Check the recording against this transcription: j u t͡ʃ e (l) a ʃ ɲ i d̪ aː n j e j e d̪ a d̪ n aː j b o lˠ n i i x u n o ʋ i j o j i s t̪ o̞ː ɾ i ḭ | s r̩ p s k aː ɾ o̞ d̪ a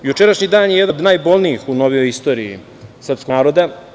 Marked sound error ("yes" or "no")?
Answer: yes